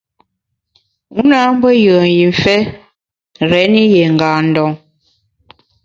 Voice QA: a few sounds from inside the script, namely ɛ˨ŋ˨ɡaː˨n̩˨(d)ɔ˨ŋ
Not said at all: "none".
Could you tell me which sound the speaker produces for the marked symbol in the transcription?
d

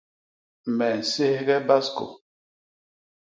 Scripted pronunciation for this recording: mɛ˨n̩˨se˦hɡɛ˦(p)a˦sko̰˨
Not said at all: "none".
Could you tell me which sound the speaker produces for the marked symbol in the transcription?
b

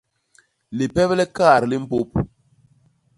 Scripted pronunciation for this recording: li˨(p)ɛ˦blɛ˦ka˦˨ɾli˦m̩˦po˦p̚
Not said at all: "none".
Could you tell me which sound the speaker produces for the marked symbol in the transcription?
p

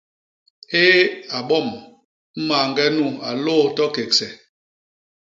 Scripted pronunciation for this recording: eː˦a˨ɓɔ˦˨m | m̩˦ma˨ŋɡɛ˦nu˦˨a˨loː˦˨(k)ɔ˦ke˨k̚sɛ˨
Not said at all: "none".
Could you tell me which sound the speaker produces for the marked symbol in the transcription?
t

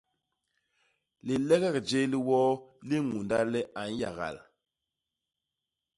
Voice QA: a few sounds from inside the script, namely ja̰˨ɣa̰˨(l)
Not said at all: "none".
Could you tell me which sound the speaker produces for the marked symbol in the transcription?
l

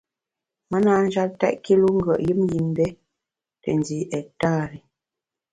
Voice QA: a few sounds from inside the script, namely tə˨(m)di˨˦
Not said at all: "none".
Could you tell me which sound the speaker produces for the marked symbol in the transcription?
n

